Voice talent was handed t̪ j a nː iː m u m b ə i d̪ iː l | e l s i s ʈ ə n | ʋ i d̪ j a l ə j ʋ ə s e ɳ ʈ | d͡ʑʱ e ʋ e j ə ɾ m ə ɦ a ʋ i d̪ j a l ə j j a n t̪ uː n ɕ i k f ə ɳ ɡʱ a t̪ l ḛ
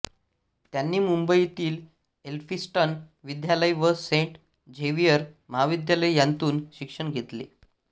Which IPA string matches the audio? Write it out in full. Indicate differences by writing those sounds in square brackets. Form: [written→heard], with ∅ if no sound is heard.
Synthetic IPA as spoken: t̪ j a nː iː m u m b ə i [d̪→t̪] iː l | e l [s→f] i s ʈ ə n | ʋ i d̪ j a l ə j ʋ ə s e ɳ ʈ | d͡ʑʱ e ʋ [e→i] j ə ɾ m ə ɦ a ʋ i d̪ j a l ə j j a n t̪ uː n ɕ i k [f→ʂ] ə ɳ ɡʱ [a→e] t̪ l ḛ